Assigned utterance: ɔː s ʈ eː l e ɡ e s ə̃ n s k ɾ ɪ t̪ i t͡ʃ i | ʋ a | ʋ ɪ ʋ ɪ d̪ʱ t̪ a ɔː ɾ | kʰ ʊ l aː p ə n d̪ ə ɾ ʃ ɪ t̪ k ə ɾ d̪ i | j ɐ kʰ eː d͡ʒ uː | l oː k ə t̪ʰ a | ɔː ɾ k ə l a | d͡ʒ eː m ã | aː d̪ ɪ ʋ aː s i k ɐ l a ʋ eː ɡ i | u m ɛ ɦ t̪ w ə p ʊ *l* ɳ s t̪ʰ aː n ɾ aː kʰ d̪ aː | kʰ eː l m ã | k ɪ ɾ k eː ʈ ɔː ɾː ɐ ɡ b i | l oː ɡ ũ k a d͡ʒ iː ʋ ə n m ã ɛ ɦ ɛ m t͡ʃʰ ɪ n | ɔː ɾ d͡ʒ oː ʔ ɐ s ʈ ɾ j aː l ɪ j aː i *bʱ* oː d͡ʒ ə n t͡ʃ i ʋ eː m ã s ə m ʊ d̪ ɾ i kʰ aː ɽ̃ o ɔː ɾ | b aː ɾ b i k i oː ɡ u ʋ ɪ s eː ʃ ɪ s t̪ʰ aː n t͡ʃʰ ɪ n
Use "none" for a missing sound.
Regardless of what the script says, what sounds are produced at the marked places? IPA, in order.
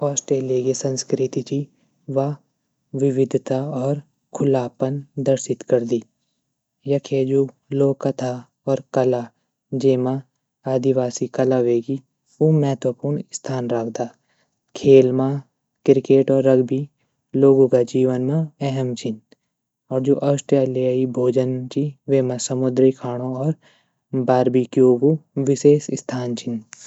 ɾ, bʱ

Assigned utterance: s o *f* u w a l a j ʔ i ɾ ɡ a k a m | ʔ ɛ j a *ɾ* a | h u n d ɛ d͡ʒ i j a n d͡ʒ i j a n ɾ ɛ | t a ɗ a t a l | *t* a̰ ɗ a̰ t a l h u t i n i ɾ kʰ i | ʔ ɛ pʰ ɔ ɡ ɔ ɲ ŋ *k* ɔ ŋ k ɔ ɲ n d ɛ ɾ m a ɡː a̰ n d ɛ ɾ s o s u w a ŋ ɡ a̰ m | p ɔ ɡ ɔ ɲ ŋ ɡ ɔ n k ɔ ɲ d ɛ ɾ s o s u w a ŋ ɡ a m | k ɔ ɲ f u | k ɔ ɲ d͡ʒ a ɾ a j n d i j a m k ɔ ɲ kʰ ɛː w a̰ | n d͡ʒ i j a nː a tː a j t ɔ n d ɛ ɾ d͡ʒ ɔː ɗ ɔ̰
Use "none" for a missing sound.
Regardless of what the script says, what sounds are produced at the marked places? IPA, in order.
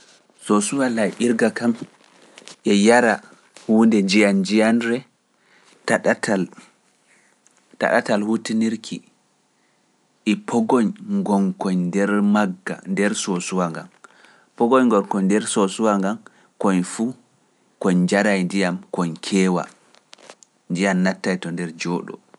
s, ɾ, t, ɡ

